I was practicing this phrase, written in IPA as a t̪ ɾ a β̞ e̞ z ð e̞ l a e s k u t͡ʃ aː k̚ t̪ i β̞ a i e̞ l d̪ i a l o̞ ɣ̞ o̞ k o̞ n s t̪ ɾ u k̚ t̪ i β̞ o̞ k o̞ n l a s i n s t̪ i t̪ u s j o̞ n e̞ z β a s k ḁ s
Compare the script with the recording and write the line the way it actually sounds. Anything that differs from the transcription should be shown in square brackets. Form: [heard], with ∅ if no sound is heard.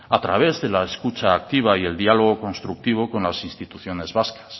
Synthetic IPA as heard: a t̪ ɾ a β̞ e̞ z ð e̞ l a e s k u t͡ʃ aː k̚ t̪ i β̞ a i e̞ l d̪ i a l o̞ ɣ̞ o̞ k o̞ n s t̪ ɾ u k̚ t̪ i β̞ o̞ k o̞ n l a s i n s t̪ i t̪ u [θ] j o̞ n e̞ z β a s k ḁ s